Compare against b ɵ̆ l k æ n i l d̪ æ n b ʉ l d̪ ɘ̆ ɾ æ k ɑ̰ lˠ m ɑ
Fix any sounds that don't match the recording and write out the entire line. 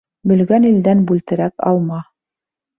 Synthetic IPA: b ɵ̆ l ɡ æ n i l d̪ æ n b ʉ l t̪ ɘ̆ ɾ æ k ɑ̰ lˠ m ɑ